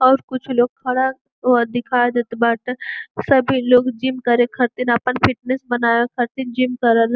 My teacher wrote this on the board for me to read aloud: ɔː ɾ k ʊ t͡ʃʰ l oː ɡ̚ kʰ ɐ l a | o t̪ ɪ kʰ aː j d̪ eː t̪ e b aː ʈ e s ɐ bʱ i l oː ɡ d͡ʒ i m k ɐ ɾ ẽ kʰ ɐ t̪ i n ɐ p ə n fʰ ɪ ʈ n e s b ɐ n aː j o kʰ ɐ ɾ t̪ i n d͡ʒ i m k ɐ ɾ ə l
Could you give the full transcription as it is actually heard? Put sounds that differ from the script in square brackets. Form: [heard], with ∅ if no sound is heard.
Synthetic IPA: ɔː ɾ k ʊ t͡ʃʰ l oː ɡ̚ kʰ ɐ [ɽ] a | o [d̪] ɪ kʰ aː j d̪ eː t̪ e b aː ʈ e s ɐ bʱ i l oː ɡ d͡ʒ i m k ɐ ɾ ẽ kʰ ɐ t̪ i n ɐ p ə n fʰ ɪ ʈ n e s b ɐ n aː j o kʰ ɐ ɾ t̪ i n d͡ʒ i m k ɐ ɾ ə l